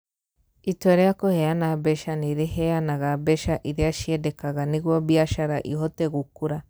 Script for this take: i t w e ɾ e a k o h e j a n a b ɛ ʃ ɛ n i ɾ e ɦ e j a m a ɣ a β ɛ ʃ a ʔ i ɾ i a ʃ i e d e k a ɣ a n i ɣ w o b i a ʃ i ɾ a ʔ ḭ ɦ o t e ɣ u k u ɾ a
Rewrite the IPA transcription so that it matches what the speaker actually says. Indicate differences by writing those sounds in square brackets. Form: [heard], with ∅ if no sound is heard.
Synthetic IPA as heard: i t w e ɾ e a k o h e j a n a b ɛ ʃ [a] n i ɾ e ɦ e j a [n] a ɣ a [b] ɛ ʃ a ʔ i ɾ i a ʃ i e d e k a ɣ a n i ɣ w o b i a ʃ [a] ɾ a ʔ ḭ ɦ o t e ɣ u k u ɾ a

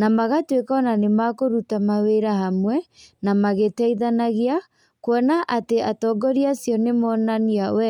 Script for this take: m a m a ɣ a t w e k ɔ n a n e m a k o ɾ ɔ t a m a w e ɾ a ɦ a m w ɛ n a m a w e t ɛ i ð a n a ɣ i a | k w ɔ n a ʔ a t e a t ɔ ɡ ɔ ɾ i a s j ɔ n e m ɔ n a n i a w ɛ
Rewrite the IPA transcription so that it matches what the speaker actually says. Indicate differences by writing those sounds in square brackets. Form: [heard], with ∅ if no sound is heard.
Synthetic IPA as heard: [n] a m a ɣ a t w e k ɔ n a n e m a k o ɾ [u] t a m a w e ɾ a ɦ a m w ɛ n a m a [ɣ] e t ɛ i ð a n a ɣ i a | k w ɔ n a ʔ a t e a t ɔ ɡ ɔ ɾ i a s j ɔ n e m ɔ n a n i a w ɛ

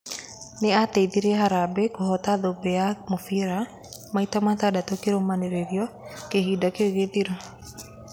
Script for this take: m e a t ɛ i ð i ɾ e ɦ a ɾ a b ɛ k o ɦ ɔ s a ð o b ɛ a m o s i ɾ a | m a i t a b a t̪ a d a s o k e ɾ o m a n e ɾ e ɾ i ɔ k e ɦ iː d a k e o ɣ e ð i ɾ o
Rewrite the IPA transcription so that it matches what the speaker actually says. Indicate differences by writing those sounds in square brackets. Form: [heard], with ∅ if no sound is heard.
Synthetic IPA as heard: [n] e a t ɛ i ð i ɾ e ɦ a ɾ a b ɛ k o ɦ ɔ [t] a ð o b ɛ a m o [f] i ɾ a | m a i t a [m] a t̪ a d a [t] o k e ɾ o m a n e ɾ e ɾ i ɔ k e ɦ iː d a k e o ɣ e ð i ɾ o

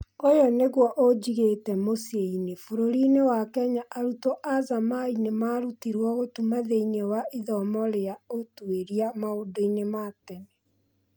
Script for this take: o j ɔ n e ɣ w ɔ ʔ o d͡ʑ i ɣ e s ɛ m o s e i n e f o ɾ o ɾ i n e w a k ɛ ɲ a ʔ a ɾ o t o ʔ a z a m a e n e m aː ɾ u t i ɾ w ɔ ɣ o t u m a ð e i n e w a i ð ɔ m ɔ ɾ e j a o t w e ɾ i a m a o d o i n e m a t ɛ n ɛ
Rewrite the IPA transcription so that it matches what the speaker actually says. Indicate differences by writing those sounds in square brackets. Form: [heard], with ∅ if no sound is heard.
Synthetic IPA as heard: o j ɔ n e ɣ w ɔ ʔ o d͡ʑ i ɣ e [t] ɛ m o s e i n e f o ɾ o ɾ i n e w a k ɛ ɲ a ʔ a ɾ [u] t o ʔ a z a m a [i] n e m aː ɾ u t i ɾ w ɔ ɣ o t u m a ð e i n e w a i ð ɔ m ɔ ɾ e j a o t w e ɾ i a m a o d o i n e m a t ɛ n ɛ

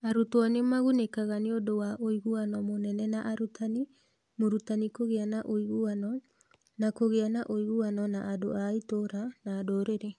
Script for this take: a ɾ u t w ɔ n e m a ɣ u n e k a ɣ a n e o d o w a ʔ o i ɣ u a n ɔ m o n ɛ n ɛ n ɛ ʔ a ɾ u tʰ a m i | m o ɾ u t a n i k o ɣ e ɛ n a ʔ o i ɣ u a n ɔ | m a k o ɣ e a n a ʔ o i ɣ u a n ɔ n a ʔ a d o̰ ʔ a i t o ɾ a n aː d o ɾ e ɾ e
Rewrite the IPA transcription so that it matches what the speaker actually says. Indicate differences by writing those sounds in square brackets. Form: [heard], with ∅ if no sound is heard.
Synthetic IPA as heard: a ɾ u t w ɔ n e m a ɣ u n e k a ɣ a n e o d o w a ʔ o i ɣ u a n ɔ m o n ɛ n ɛ n [a] ʔ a ɾ u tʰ a [n] i | m o ɾ u t a n i k o ɣ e [a] n a ʔ o i ɣ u a n ɔ | [n] a k o ɣ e a n a ʔ o i ɣ u a n ɔ n a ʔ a d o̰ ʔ a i t o ɾ a n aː d o ɾ e ɾ e

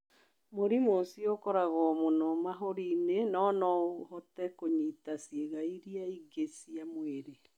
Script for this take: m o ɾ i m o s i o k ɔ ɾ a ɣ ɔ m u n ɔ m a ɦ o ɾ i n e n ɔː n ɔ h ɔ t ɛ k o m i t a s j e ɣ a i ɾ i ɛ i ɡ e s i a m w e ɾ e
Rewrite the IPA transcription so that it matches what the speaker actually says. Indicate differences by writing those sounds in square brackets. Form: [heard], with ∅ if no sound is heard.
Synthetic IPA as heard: m o ɾ i m o s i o k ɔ ɾ a ɣ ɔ m [o] n ɔ m a ɦ o ɾ i n e n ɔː n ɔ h ɔ t ɛ k o [ɲ] i t a s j e ɣ a i ɾ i [a] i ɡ e s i a m w e ɾ e

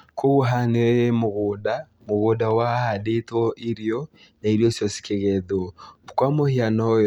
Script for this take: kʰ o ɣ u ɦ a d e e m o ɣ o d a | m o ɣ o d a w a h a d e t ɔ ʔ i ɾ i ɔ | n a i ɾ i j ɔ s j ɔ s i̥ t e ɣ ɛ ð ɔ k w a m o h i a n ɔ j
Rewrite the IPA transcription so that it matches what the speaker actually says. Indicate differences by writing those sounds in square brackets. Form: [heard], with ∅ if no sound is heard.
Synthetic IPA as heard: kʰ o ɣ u ɦ a [n] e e m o ɣ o d a | m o ɣ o d a w a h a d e t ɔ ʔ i ɾ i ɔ | n a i ɾ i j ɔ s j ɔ s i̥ [k] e ɣ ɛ ð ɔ k w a m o h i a n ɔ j

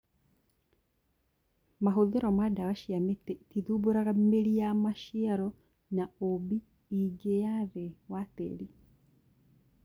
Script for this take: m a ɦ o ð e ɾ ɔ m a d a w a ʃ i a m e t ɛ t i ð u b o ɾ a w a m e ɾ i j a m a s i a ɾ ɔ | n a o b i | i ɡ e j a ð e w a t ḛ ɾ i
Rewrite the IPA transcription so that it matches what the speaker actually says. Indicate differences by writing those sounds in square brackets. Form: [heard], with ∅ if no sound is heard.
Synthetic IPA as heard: m a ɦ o ð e ɾ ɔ m a d a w a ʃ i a m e t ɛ t i ð u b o ɾ a [ɣ] a m e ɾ i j a m a [ʃ] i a ɾ ɔ | n a o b i | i ɡ e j a ð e w a t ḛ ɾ i

